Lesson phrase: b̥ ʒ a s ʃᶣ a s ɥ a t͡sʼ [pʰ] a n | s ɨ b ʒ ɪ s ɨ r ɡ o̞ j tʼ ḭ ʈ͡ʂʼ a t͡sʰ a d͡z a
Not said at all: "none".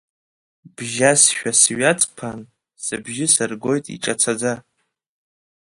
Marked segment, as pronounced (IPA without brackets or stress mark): pʰ